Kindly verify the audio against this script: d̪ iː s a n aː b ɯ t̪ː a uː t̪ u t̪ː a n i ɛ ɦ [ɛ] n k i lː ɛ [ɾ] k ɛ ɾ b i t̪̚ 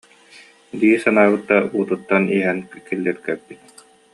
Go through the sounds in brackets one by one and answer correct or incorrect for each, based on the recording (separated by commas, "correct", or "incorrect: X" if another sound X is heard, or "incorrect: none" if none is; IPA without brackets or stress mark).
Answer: correct, correct